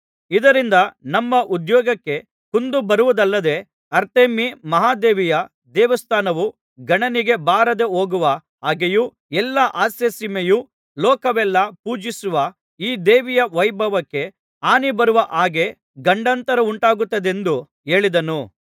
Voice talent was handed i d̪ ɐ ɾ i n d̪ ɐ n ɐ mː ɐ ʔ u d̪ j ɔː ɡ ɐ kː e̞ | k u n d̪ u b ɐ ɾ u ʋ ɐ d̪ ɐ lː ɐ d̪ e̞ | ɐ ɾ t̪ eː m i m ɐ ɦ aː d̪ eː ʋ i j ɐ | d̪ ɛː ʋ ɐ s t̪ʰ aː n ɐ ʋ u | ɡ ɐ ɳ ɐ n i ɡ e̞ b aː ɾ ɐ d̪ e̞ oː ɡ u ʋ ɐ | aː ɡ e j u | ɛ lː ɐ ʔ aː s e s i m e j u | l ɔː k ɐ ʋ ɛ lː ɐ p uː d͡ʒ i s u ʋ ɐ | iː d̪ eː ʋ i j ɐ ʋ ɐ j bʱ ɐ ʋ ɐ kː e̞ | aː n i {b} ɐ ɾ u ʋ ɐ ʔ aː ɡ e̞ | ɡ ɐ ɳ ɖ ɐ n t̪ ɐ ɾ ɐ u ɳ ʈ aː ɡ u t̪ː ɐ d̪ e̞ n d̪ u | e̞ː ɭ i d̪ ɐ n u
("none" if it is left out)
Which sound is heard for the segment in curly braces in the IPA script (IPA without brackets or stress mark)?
b